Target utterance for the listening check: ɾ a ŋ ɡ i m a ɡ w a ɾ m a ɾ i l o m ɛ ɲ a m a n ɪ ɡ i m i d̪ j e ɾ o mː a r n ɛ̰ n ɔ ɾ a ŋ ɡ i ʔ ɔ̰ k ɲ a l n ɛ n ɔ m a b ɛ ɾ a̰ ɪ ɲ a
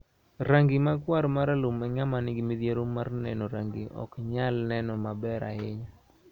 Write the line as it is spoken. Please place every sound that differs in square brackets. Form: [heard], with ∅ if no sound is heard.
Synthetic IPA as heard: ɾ a ŋ ɡ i m a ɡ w a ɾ m a ɾ [a] l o m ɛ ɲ a m a n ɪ ɡ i m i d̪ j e ɾ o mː a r n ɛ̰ n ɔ ɾ a ŋ ɡ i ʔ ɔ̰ k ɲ a l n ɛ n ɔ m a b ɛ ɾ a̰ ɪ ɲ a